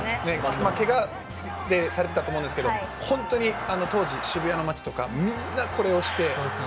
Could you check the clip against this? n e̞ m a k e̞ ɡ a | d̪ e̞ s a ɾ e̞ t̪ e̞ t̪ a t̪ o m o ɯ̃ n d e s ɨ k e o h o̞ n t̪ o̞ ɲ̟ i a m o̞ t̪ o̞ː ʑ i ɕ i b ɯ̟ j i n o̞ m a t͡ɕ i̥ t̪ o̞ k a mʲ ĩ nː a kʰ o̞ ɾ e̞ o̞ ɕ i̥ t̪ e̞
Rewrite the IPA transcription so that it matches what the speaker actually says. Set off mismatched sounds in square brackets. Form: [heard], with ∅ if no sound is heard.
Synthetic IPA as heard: n e̞ m a k e̞ ɡ a | d̪ e̞ s a ɾ e̞ t̪ e̞ t̪ a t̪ o m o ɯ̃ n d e s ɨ k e o h [õ̞] n t̪ o̞ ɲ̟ i a [n] o̞ t̪ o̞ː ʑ i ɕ i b ɯ̟ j [a] n o̞ m a t͡ɕ i̥ t̪ o̞ k a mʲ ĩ nː a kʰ o̞ ɾ e̞ o̞ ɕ i̥ t̪ e̞